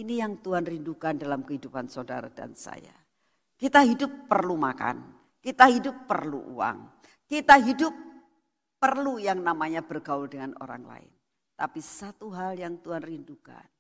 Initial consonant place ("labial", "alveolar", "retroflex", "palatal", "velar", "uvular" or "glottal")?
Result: alveolar